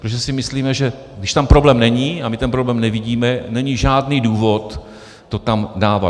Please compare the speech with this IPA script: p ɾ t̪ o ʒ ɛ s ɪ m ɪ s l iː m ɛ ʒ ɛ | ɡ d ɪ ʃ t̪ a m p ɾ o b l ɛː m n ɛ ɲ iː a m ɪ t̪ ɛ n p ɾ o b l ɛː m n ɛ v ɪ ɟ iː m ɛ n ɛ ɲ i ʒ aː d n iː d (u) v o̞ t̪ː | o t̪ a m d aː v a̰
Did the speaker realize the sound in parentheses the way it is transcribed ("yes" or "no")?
no